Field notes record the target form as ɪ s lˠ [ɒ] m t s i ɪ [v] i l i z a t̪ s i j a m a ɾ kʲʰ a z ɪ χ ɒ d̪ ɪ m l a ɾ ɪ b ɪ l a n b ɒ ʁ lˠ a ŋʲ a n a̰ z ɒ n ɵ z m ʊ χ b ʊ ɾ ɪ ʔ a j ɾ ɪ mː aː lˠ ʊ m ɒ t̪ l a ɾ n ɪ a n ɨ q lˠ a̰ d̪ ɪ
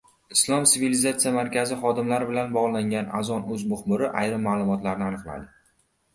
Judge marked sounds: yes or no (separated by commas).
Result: yes, yes